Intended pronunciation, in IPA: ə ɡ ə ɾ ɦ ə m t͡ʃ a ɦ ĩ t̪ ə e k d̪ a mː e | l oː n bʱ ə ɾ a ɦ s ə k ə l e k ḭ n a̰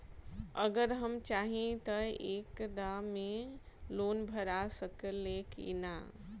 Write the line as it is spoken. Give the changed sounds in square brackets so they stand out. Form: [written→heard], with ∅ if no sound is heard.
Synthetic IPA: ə ɡ ə ɾ ɦ ə m t͡ʃ a ɦ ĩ t̪ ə e k d̪ a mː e | l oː n bʱ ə ɾ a [ɦ→∅] s ə k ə l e k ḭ n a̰